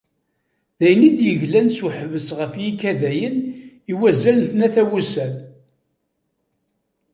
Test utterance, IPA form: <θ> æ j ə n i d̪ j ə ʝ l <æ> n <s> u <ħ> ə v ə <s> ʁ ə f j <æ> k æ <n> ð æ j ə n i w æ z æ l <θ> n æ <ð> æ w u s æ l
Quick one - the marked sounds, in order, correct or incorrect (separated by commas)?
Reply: incorrect, correct, correct, correct, correct, incorrect, incorrect, correct, incorrect